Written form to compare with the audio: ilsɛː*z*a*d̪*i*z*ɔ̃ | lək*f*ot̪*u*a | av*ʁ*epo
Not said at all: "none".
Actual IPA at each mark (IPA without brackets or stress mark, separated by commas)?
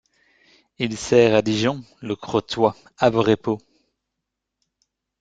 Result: ʁ, d̪, ʒ, χ, w, ʁ